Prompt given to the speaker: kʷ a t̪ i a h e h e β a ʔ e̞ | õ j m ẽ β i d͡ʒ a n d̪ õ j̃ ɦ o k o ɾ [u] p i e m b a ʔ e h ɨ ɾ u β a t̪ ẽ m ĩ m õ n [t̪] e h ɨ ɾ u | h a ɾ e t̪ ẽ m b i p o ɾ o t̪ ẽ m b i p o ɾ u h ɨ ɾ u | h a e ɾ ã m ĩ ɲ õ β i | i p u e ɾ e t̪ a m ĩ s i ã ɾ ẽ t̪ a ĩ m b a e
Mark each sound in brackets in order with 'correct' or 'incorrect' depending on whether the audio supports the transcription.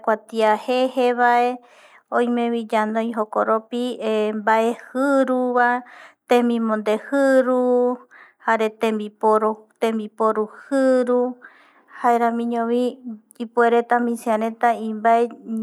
incorrect, incorrect

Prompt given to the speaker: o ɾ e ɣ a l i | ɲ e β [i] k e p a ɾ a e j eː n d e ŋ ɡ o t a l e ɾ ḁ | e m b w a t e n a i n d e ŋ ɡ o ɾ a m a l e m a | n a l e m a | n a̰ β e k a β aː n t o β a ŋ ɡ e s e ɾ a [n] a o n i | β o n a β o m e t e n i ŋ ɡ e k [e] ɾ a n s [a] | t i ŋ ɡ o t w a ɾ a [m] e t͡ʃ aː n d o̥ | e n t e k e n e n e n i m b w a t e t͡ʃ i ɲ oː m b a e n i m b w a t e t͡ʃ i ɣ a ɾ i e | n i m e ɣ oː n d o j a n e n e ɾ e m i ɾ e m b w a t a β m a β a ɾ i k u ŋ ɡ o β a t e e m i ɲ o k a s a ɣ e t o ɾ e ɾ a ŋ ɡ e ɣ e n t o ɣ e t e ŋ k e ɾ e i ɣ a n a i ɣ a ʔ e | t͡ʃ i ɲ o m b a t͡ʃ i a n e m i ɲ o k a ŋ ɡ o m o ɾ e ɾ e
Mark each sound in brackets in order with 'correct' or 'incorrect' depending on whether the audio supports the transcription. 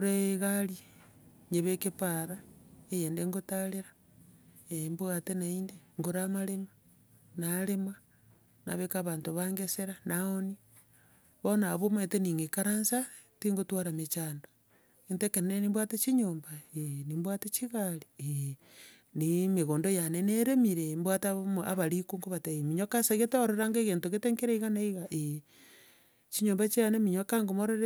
incorrect, correct, incorrect, correct, correct

